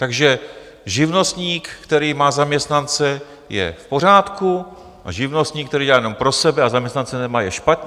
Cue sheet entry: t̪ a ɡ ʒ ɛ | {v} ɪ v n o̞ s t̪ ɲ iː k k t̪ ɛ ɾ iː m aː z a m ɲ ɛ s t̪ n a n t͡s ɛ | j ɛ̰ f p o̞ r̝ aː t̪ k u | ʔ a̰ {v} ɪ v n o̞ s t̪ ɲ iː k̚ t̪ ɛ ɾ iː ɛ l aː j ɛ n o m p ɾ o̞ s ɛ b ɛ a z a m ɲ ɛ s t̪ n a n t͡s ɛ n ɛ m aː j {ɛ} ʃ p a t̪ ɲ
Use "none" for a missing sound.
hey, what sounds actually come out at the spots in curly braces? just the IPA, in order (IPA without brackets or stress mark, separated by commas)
ʒ, ʒ, ɛ